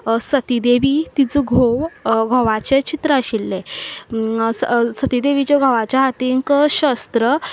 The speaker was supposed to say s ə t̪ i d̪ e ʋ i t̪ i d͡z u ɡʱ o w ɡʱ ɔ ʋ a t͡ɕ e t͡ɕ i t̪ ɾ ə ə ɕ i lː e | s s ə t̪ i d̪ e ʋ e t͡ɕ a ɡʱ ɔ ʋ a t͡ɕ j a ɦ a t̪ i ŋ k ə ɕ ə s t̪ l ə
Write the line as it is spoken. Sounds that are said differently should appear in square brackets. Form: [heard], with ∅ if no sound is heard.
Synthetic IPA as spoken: s ə t̪ i d̪ e ʋ i t̪ i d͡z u ɡʱ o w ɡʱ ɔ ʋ a t͡ɕ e t͡ɕ i t̪ ɾ ə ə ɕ i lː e | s s ə t̪ i d̪ e ʋ [i] t͡ɕ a ɡʱ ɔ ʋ a t͡ɕ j a ɦ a t̪ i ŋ k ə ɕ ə s t̪ [ɾ] ə